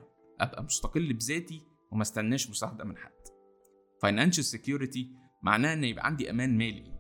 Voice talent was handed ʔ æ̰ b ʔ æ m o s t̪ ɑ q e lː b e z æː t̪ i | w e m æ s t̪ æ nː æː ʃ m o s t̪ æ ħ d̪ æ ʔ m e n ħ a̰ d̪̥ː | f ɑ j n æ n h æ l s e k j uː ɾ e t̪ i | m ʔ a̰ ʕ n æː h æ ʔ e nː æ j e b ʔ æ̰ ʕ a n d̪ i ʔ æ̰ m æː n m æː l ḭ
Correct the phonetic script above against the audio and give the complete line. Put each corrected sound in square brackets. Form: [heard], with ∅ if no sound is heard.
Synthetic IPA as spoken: ʔ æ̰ b ʔ æ m o s t̪ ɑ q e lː b e z æː t̪ i | w e m æ s t̪ æ nː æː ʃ m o s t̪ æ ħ d̪ æ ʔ m e n ħ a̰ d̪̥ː | f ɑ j n æ n [ʃ] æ l s e k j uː ɾ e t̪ i | m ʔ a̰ ʕ n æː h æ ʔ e nː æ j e b ʔ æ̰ ʕ a n d̪ i ʔ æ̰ m æː n m æː l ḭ